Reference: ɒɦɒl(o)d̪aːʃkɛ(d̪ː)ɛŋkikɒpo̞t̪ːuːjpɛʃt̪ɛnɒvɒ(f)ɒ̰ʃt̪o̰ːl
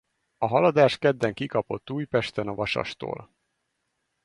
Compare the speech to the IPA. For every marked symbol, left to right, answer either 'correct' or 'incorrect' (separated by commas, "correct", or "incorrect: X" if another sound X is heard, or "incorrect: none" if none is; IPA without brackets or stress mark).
incorrect: ɒ, correct, incorrect: ʃ